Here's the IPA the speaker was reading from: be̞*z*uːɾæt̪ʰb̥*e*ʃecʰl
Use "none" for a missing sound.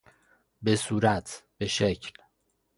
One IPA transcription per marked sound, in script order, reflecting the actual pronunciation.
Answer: s, e

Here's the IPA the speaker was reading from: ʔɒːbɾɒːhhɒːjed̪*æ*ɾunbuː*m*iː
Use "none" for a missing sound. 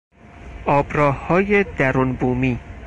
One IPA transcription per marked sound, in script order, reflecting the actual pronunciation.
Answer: æ, m

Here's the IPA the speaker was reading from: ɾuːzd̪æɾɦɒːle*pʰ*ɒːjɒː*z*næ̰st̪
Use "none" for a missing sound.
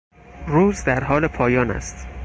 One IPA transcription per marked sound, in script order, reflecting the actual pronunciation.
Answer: pʰ, none

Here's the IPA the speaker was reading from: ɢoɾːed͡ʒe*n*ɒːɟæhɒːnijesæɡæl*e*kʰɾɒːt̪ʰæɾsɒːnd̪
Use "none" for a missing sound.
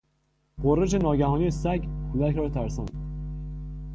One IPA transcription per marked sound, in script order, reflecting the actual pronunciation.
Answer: n, æ

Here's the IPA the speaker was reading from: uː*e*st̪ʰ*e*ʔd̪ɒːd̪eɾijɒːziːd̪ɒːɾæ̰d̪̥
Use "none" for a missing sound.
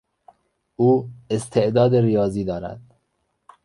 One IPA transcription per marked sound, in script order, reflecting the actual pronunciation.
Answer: e, e

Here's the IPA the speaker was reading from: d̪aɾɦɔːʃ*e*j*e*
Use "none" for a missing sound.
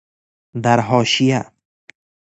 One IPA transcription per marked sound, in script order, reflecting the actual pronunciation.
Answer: i, a

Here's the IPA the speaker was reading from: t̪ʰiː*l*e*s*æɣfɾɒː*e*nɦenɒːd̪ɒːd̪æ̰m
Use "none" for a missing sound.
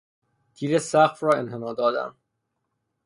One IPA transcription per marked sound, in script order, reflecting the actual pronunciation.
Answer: ɾ, s, e

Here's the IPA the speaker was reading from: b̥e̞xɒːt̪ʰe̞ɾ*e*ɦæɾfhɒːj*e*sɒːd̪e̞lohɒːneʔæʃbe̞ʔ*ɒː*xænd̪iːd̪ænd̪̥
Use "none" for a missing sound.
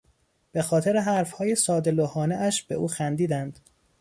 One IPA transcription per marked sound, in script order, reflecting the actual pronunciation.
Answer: e, e, uː

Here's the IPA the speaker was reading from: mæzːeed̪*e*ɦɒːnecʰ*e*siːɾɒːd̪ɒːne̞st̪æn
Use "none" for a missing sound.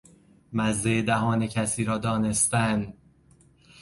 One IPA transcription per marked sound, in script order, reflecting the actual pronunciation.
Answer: æ, æ

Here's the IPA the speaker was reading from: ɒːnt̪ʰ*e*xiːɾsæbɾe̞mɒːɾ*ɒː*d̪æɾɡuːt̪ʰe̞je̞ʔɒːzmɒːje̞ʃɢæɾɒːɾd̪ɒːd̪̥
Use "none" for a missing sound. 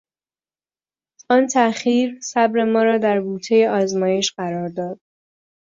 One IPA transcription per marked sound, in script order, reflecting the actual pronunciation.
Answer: æ, ɒː

